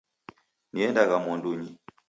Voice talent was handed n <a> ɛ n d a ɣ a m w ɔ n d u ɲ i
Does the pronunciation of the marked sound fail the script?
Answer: yes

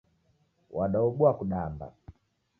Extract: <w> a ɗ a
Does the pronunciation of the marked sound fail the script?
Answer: no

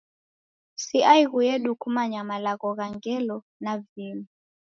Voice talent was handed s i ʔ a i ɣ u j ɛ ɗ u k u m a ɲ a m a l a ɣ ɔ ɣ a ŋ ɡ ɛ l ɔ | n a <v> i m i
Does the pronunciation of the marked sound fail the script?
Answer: no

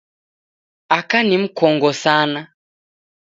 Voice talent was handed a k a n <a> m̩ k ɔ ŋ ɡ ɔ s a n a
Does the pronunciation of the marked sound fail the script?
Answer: yes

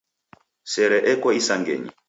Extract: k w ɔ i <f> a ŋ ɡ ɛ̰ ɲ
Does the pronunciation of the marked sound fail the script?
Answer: yes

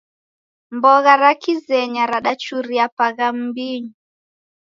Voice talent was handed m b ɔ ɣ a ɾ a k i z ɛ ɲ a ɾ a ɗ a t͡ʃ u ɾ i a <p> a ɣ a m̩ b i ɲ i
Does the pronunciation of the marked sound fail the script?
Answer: no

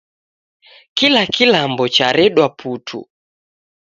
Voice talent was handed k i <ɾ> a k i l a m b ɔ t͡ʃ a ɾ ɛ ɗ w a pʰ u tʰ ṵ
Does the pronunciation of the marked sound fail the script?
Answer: yes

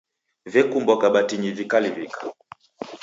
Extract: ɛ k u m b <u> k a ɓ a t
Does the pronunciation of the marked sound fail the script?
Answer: yes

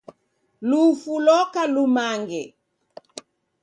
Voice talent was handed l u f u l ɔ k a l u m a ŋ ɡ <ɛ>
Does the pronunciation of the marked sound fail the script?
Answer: no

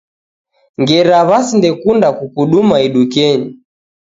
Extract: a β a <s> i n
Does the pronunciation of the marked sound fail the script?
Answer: no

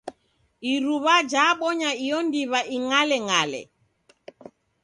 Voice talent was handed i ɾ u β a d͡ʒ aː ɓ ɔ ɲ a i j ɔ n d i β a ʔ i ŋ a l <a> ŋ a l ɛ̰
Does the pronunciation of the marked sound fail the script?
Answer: yes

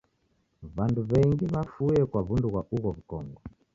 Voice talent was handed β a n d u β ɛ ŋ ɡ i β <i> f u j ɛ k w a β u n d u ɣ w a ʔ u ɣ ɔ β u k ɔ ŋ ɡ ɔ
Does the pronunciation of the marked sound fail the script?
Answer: yes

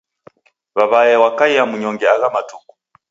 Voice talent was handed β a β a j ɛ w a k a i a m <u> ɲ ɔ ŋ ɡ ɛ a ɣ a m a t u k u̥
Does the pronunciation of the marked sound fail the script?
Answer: no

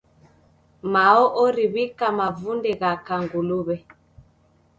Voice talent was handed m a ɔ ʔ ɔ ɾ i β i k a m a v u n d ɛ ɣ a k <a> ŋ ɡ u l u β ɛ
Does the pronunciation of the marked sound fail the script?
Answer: no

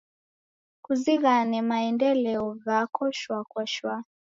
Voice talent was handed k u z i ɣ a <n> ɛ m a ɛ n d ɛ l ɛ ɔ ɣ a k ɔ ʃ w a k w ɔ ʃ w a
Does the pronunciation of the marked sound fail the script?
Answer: no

